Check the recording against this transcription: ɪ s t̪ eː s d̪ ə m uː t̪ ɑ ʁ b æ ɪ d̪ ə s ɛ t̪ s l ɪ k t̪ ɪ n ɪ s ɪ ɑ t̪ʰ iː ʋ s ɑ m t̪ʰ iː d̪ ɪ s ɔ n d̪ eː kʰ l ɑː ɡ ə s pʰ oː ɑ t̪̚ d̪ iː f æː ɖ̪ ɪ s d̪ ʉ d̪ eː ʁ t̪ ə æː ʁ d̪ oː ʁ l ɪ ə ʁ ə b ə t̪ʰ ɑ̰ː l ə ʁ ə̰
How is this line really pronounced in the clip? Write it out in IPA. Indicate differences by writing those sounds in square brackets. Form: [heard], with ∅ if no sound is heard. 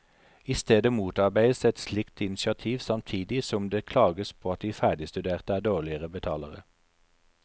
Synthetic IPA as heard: ɪ s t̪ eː [∅] d̪ ə m uː t̪ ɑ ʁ b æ ɪ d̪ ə s ɛ t̪ s l ɪ k t̪ ɪ n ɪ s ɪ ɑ t̪ʰ iː ʋ s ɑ m t̪ʰ iː d̪ ɪ s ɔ [m] d̪ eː kʰ l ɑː ɡ ə s pʰ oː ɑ t̪̚ d̪ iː f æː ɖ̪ ɪ s [t̪] ʉ d̪ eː ʁ t̪ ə æː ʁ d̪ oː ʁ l ɪ ə ʁ ə b ə t̪ʰ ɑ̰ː l ə ʁ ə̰

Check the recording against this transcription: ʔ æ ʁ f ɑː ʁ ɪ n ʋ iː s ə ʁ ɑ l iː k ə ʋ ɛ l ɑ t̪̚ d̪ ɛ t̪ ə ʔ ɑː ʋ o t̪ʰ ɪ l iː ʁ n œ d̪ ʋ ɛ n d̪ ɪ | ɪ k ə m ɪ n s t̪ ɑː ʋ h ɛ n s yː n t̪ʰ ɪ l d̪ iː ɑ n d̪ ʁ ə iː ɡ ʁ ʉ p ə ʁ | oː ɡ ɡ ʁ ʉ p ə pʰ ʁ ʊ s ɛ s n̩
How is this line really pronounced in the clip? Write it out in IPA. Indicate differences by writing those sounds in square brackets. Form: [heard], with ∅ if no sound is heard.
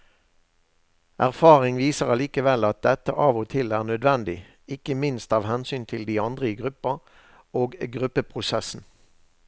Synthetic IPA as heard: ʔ æ ʁ f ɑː ʁ ɪ [ŋ] ʋ iː s ə ʁ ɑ l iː k ə ʋ ɛ l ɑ t̪̚ d̪ ɛ t̪ ə ʔ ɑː ʋ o t̪ʰ ɪ l [æː] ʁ n œ d̪ ʋ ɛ n d̪ ɪ | ɪ k ə m ɪ n s t̪ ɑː ʋ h ɛ n s yː n t̪ʰ ɪ l d̪ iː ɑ n d̪ ʁ ə iː ɡ ʁ ʉ p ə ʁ | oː ɡ ɡ ʁ ʉ p ə pʰ ʁ ʊ s ɛ s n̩

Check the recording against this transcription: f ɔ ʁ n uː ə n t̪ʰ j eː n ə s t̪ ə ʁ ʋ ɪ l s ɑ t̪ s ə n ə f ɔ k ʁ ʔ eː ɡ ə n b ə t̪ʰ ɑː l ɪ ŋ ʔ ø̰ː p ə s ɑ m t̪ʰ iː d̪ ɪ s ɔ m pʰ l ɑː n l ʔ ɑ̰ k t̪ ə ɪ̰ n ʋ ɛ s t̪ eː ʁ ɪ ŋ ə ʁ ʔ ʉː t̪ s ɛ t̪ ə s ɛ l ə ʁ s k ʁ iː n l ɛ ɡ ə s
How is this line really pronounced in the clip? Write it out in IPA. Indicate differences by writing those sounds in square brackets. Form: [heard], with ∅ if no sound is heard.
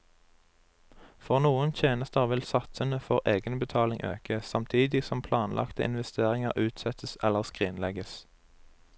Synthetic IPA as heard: f ɔ ʁ n uː ə n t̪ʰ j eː n ə s t̪ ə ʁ ʋ ɪ l s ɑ t̪ s ə n ə f ɔ [∅] ʁ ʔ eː ɡ ə n b ə t̪ʰ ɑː l ɪ ŋ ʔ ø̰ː [k] ə s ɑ m t̪ʰ iː d̪ ɪ s ɔ m pʰ l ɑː n l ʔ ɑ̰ k t̪ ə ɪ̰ n ʋ ɛ s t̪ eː ʁ ɪ ŋ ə ʁ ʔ ʉː t̪ s ɛ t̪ ə s ɛ l ə ʁ s k ʁ iː n l ɛ ɡ ə s

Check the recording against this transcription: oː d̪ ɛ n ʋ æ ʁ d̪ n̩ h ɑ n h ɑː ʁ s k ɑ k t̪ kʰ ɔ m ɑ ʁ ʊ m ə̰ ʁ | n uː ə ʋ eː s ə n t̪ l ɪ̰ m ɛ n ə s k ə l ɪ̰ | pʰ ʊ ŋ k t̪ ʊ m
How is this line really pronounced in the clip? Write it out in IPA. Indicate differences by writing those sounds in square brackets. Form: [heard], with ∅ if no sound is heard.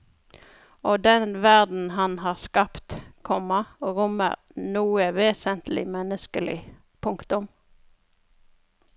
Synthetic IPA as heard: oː d̪ ɛ n ʋ æ ʁ d̪ n̩ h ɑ n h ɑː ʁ s k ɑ [p] t̪ kʰ ɔ m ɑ ʁ ʊ m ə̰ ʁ | n uː ə ʋ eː s ə n t̪ l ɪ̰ m ɛ n ə s k ə l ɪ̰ | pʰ ʊ ŋ k t̪ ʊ m

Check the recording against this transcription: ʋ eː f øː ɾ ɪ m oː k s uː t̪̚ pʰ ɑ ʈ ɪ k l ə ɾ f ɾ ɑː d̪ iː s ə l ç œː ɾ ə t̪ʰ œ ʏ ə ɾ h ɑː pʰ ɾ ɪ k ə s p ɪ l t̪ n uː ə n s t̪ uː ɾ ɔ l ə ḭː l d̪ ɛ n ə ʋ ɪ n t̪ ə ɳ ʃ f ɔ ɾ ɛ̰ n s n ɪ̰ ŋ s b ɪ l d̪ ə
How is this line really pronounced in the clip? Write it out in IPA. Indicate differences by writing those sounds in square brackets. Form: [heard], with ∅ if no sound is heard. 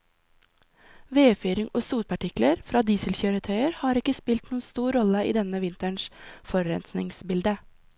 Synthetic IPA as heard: ʋ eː f [yː] ɾ ɪ [ŋ] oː [∅] s uː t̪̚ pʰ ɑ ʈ ɪ k l ə ɾ f ɾ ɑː d̪ iː s ə l ç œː ɾ ə t̪ʰ œ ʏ ə ɾ h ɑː [∅] ɾ ɪ k ə s p ɪ l t̪ n uː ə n s t̪ uː ɾ ɔ l ə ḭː [∅] d̪ ɛ n ə ʋ ɪ n t̪ ə ɳ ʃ f ɔ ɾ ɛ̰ n s n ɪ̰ ŋ s b ɪ l d̪ ə

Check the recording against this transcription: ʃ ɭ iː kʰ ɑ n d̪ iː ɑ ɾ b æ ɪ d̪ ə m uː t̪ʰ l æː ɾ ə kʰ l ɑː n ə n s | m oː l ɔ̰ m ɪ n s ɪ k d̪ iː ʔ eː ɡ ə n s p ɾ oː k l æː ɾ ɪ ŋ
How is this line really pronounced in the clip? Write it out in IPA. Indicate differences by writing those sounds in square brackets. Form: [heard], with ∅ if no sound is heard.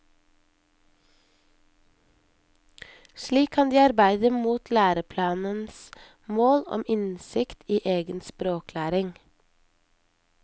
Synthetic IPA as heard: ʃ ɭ iː kʰ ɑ n d̪ iː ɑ ɾ b æ ɪ d̪ ə m uː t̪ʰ l æː ɾ ə [pʰ] l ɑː n ə n s | m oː l ɔ̰ m ɪ n s ɪ k [t̪] iː ʔ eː ɡ ə n s p ɾ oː k l æː ɾ ɪ ŋ

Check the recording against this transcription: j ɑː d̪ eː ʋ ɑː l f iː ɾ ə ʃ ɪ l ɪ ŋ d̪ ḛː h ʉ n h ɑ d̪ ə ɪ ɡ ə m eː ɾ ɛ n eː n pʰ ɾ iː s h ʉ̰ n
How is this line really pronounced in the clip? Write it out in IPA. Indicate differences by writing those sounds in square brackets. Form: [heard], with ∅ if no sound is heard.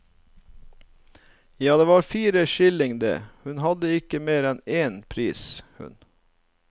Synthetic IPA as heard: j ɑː d̪ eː ʋ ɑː [ɾ] f iː ɾ ə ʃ ɪ l ɪ ŋ d̪ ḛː h ʉ n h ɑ d̪ ə ɪ [k] ə m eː ɾ ɛ n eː n pʰ ɾ iː s h ʉ̰ n

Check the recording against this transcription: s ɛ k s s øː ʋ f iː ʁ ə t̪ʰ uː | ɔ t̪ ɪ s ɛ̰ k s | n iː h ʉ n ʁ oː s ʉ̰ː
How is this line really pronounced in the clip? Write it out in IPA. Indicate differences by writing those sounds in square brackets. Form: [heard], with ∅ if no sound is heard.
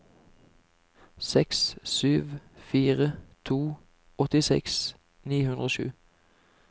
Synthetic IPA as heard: s ɛ k s s [yː] ʋ f iː ʁ ə t̪ʰ uː | ɔ t̪ ɪ s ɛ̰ k s | n iː h ʉ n ʁ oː [ʃ] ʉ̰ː

